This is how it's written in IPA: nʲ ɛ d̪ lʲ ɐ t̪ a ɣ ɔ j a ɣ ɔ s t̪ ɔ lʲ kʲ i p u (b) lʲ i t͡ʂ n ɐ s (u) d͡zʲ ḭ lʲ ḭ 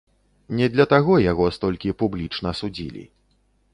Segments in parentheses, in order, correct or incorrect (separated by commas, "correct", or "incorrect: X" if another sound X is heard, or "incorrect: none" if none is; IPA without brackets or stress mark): correct, correct